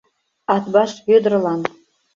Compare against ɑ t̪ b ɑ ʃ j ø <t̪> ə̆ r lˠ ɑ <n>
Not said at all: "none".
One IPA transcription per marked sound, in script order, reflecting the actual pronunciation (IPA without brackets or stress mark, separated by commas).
d̪, n